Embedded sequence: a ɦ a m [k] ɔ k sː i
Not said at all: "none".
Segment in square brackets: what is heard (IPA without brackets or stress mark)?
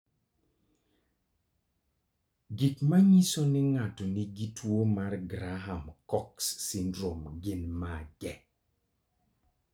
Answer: k